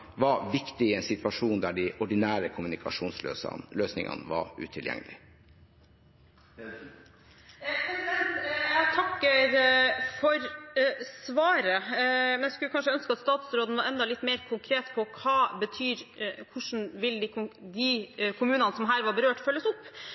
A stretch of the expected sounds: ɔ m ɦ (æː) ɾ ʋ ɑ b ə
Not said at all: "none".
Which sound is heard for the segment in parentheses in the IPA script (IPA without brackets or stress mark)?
æː